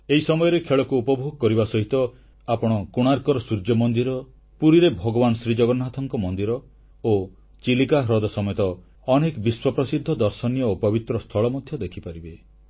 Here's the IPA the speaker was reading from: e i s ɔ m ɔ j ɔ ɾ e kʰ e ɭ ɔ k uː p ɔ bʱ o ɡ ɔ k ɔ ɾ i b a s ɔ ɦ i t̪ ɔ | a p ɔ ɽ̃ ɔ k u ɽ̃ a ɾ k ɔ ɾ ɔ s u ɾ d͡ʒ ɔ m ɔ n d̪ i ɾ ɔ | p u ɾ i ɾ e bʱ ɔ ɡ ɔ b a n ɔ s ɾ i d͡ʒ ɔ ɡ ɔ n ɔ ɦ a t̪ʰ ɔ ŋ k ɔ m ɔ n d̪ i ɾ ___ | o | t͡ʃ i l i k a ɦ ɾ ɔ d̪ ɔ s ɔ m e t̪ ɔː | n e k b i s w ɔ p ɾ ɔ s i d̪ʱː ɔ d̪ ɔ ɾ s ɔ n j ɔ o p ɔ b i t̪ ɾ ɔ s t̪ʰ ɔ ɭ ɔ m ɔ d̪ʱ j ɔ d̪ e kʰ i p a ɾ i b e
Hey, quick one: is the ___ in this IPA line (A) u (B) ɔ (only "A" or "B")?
B